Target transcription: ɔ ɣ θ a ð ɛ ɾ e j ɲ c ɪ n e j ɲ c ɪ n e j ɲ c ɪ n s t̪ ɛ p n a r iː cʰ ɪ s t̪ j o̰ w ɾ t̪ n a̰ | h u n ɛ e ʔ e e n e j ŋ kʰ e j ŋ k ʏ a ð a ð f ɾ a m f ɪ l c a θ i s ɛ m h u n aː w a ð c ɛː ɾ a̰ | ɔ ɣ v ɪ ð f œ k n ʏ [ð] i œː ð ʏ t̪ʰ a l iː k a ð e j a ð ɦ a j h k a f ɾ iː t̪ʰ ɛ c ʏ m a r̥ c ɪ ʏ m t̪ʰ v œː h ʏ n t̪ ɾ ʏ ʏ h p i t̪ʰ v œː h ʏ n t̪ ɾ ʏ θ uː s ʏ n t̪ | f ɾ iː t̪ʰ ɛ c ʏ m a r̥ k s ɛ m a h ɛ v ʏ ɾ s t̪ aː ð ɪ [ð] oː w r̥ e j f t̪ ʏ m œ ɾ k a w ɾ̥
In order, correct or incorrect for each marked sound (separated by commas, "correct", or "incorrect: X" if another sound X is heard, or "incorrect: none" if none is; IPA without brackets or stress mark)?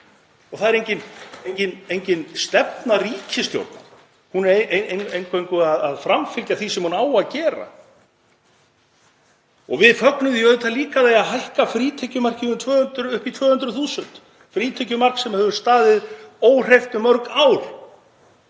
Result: correct, correct